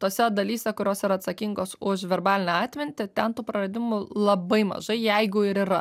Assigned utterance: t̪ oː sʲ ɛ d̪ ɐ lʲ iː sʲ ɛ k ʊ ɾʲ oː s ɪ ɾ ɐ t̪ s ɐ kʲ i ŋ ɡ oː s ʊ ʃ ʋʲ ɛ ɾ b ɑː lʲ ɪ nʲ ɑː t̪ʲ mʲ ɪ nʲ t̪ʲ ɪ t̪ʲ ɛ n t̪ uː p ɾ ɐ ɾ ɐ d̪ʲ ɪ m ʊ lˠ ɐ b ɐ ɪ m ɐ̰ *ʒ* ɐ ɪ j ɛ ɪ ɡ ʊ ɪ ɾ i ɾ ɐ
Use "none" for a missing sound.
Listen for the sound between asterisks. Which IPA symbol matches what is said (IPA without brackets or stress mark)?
ʒ